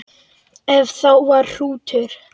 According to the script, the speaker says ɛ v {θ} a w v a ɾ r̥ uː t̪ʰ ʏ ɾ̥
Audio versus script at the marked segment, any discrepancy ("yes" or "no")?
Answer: no